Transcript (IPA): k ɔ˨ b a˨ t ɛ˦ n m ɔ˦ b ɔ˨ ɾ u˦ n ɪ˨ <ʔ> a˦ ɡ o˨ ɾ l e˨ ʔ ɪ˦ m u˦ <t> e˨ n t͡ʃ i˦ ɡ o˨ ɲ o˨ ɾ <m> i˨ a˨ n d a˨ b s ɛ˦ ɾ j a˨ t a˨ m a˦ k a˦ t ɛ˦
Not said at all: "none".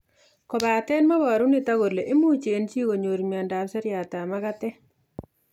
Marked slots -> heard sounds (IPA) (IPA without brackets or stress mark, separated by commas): t, t͡ʃ, m